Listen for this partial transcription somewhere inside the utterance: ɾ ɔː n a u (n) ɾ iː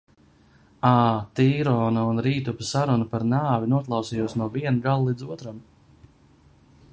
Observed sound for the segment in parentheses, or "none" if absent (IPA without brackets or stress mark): n